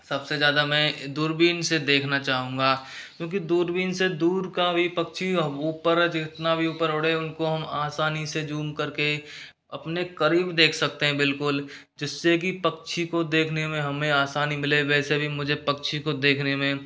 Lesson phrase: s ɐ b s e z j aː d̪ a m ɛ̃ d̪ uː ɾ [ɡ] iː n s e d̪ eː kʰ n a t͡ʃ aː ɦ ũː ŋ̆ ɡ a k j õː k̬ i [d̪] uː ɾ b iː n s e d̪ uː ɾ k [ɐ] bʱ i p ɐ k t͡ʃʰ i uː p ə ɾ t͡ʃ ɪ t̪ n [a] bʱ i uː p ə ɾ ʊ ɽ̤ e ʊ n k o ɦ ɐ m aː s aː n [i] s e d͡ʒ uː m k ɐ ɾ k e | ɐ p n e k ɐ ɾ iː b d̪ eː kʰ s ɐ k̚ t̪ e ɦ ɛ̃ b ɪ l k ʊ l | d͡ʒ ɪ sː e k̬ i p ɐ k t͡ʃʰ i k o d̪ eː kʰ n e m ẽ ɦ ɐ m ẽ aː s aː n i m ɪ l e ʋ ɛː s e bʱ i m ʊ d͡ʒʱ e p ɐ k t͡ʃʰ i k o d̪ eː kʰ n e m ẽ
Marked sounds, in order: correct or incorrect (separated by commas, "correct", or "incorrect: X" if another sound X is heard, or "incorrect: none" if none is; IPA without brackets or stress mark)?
incorrect: b, correct, incorrect: a, correct, correct